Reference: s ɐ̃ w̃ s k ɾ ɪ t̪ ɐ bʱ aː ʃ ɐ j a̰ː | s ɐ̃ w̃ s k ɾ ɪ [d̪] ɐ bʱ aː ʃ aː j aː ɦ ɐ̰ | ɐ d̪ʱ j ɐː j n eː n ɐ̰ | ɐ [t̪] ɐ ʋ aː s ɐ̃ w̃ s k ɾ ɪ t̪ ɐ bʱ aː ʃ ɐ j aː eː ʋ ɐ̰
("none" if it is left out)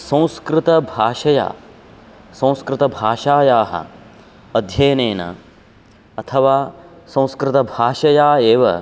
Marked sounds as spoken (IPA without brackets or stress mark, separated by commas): t̪, t̪ʰ